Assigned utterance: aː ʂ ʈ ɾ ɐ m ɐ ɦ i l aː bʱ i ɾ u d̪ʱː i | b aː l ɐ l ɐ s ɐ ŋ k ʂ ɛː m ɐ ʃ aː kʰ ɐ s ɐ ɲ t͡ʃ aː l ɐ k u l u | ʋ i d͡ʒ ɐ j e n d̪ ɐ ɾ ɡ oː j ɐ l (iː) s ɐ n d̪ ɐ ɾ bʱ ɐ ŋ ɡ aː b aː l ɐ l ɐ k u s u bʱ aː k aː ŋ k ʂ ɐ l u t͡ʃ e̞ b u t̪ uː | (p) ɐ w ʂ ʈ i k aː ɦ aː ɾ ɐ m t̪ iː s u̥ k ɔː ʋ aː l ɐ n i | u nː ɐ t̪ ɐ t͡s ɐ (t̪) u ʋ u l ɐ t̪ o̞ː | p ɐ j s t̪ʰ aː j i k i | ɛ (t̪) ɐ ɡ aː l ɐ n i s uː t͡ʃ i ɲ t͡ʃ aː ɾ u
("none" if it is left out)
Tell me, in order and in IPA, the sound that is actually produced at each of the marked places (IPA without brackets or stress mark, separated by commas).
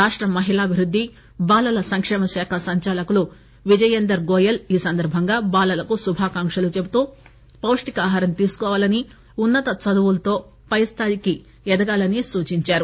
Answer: iː, p, d̪, d̪